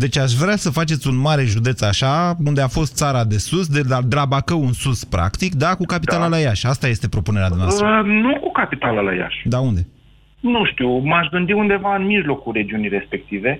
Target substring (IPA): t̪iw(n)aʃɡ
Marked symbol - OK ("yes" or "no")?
no